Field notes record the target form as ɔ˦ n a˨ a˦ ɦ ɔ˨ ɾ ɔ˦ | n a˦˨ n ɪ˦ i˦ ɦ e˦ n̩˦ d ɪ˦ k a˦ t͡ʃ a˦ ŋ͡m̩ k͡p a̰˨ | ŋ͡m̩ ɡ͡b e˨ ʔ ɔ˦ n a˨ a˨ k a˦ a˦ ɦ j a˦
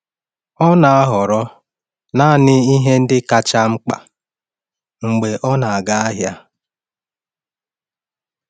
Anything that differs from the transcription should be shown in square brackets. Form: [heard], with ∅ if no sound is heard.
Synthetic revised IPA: ɔ˦ n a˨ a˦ ɦ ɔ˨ ɾ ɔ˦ | n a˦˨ n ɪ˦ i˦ ɦ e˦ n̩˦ d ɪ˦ k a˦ t͡ʃ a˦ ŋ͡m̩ k͡p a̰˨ | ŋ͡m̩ ɡ͡b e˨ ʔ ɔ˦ n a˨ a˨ [ɡ] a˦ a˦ ɦ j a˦